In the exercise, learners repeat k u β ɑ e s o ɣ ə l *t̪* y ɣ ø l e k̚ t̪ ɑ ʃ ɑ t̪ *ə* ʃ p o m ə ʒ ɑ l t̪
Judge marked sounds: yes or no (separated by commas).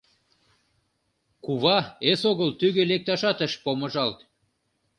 yes, yes